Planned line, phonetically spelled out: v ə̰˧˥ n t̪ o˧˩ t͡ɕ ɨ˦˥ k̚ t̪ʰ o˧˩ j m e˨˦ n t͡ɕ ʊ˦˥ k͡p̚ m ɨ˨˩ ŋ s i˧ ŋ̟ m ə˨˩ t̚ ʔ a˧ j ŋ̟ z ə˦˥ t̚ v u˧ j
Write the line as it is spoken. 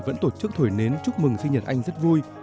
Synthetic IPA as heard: v ə̰˧˥ n t̪ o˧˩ t͡ɕ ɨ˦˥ k̚ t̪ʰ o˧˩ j n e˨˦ n t͡ɕ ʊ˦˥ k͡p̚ m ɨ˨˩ ŋ s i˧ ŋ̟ ɲ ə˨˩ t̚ ʔ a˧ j ŋ̟ z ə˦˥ t̚ v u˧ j